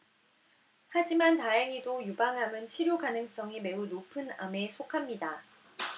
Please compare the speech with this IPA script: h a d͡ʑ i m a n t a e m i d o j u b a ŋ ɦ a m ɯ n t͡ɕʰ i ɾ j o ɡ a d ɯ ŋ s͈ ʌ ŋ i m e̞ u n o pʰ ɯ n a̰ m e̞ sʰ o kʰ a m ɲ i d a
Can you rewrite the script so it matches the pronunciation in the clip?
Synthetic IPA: h a d͡ʑ i m a n t a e ŋ i d o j u b a ŋ ɦ a m ɯ n t͡ɕʰ i ɾ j o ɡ a n ɯ ŋ s͈ ʌ ŋ i m e̞ u n o pʰ ɯ n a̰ m e̞ sʰ o kʰ a m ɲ i d a